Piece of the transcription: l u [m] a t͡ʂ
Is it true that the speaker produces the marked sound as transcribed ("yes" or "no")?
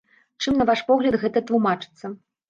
yes